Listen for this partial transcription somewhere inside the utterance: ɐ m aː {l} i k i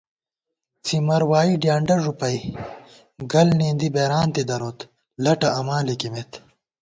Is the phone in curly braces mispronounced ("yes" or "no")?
no